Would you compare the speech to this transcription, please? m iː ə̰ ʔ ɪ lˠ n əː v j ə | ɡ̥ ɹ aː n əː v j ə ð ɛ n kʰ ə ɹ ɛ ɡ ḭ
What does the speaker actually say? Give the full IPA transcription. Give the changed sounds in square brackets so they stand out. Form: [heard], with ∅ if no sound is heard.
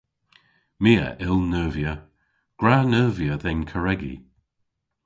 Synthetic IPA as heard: m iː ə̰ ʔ ɪ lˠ n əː v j ə | ɡ̥ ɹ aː n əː v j ə ð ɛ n kʰ ə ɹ ɛ ɡ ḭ